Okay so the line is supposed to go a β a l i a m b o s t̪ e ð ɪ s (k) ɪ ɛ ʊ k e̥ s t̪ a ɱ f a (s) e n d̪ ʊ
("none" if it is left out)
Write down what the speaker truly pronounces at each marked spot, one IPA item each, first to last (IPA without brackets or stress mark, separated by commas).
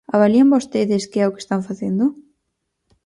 k, θ